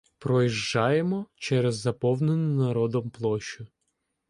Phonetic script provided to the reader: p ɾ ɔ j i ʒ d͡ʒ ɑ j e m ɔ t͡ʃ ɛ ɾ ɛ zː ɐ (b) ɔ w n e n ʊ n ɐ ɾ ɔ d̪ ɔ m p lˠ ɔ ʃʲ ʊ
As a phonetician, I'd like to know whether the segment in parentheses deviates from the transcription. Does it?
yes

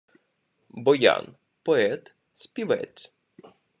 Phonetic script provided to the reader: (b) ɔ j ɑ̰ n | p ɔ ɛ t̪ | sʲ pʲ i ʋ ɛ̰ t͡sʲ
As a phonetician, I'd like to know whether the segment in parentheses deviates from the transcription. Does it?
no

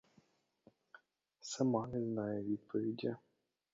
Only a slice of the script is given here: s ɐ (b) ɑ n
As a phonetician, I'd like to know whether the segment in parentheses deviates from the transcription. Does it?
yes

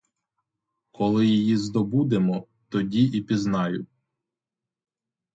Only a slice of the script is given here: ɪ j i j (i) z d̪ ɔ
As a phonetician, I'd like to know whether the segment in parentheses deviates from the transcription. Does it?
no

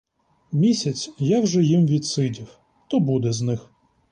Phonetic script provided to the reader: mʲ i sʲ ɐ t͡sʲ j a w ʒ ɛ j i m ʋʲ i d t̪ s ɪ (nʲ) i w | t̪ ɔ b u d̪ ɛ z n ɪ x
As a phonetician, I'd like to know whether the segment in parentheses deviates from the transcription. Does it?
yes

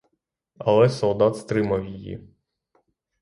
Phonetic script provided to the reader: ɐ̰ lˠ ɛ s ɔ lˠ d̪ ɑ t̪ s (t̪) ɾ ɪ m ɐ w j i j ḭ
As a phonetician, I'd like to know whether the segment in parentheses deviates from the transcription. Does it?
no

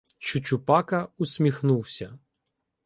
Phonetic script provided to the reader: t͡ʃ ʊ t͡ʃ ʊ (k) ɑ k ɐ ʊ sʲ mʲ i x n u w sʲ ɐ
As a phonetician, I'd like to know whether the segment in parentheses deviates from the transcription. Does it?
yes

